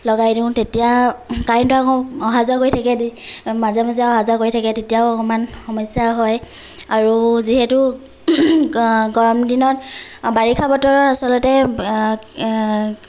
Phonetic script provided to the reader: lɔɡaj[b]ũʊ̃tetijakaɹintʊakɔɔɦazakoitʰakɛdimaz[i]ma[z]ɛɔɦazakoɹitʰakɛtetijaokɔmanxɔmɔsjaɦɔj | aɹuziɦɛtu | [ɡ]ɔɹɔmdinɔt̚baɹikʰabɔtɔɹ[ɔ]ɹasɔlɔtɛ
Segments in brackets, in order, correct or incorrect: incorrect, incorrect, correct, correct, correct

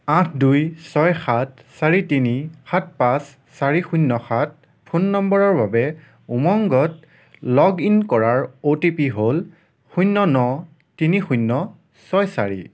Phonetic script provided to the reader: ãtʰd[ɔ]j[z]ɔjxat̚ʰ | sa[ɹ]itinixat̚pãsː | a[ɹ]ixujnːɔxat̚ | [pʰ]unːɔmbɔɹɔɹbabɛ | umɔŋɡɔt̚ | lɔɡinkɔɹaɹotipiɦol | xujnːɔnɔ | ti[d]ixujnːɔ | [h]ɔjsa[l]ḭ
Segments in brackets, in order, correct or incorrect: incorrect, incorrect, correct, correct, correct, incorrect, incorrect, incorrect

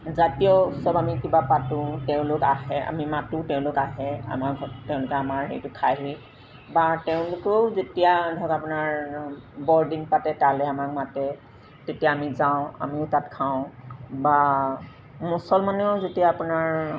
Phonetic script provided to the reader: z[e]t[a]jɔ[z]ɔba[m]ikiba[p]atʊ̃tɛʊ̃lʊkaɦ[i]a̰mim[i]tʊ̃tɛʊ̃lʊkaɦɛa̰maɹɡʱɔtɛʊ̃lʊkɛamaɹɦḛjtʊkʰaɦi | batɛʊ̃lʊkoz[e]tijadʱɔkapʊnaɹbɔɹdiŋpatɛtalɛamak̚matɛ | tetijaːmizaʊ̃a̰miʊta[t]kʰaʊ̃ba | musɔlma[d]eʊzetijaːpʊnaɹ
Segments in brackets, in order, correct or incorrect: incorrect, incorrect, incorrect, correct, correct, incorrect, incorrect, correct, correct, incorrect

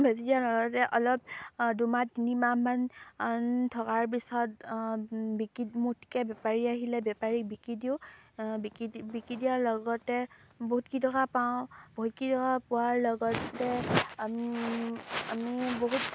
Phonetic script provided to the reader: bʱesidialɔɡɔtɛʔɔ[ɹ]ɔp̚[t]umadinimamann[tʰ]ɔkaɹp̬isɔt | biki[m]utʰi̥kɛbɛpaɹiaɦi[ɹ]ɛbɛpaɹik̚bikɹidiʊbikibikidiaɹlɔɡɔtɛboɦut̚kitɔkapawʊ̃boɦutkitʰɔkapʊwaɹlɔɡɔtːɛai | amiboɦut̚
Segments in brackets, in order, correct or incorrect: incorrect, incorrect, correct, correct, incorrect

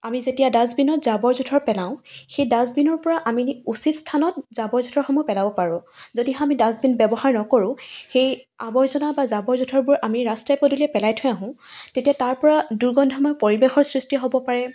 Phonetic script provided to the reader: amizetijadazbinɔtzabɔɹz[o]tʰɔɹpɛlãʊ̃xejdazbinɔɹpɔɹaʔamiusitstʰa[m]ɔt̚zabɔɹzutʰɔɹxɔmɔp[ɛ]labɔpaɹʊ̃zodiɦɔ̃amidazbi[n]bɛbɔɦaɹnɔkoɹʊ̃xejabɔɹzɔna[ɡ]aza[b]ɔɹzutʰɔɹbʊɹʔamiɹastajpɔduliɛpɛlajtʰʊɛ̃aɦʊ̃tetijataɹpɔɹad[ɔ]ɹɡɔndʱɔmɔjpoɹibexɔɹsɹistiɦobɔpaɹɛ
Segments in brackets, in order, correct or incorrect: incorrect, incorrect, correct, correct, incorrect, correct, incorrect

